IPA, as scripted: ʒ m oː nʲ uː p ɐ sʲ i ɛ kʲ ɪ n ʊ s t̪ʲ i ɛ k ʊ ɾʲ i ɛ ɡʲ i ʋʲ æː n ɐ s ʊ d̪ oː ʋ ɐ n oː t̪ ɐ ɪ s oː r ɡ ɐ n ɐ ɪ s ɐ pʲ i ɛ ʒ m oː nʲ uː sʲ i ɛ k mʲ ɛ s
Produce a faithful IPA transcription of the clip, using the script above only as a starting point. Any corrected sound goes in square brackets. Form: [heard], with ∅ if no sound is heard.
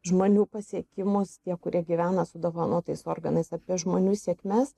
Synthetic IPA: ʒ m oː nʲ uː p ɐ sʲ i ɛ kʲ ɪ [m] ʊ s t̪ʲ i ɛ k ʊ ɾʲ i ɛ ɡʲ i ʋʲ æː n ɐ s ʊ d̪ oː ʋ ɐ n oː t̪ ɐ ɪ s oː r ɡ ɐ n ɐ ɪ s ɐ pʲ i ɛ ʒ m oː nʲ uː sʲ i ɛ k mʲ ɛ s